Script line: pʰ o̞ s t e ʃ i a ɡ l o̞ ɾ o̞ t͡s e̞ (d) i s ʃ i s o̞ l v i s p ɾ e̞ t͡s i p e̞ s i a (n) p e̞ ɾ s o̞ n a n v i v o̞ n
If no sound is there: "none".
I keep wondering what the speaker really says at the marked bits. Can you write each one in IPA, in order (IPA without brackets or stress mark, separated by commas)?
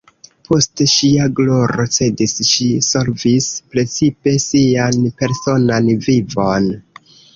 d, n